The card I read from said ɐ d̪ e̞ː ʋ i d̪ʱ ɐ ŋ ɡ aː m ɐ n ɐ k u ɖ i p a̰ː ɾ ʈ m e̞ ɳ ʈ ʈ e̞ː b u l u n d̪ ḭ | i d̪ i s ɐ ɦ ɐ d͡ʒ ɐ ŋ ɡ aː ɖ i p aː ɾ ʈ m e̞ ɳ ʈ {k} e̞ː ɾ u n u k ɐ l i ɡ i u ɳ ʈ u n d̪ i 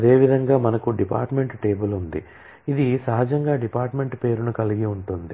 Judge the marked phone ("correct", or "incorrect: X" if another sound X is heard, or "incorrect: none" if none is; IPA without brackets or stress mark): incorrect: p